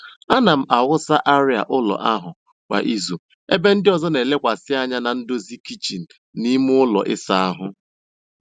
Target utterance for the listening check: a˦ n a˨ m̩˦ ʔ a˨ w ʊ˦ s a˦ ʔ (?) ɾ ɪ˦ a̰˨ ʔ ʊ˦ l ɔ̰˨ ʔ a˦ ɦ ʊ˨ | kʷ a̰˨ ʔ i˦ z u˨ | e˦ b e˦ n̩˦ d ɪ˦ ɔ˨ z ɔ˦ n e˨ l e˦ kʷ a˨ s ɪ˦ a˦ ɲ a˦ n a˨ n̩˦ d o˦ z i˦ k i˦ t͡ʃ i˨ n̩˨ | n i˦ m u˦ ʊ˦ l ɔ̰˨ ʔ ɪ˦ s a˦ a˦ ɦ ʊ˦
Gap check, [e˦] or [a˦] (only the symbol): a˦